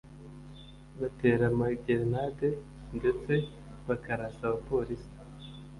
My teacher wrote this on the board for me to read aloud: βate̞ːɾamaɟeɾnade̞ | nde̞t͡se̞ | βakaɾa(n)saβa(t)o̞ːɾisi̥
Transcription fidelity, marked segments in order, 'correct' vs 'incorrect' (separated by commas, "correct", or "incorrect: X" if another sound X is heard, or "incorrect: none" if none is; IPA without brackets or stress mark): incorrect: none, incorrect: p